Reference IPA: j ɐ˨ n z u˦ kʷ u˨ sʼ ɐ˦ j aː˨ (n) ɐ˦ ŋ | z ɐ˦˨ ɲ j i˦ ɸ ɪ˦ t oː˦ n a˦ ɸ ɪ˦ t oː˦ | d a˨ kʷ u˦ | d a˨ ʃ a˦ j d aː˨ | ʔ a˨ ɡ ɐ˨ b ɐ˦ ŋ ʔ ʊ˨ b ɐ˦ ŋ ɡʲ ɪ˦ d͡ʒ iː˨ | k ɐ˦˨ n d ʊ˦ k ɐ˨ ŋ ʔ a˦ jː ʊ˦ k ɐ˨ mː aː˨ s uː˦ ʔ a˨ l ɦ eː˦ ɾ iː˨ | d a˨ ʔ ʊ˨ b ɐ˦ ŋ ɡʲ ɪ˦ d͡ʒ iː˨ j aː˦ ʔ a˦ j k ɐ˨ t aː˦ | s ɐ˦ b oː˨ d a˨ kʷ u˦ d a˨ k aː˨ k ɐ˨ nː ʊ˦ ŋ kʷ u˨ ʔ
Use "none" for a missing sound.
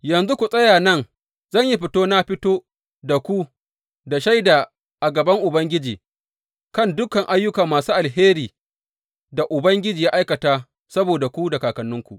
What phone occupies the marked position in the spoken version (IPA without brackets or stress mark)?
n